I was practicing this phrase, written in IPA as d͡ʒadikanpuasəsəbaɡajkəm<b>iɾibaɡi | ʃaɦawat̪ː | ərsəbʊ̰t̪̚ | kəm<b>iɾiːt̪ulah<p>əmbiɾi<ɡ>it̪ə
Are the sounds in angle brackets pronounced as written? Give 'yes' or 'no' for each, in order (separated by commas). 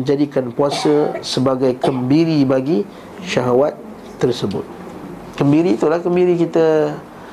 yes, yes, no, no